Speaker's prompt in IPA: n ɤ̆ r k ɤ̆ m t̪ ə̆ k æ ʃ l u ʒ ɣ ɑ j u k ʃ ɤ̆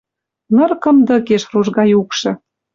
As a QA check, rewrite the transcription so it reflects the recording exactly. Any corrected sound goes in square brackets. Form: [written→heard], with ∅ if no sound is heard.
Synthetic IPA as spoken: n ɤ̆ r k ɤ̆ m [t̪→d̪] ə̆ k [æ→e] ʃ [l→r] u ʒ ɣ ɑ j u k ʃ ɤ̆